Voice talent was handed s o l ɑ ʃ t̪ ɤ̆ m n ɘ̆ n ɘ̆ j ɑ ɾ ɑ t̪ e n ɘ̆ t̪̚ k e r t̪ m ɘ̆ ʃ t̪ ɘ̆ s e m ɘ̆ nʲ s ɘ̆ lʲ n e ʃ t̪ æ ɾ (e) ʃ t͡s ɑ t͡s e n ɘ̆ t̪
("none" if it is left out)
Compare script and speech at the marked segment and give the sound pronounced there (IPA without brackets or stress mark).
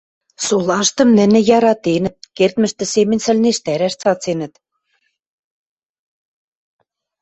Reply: æ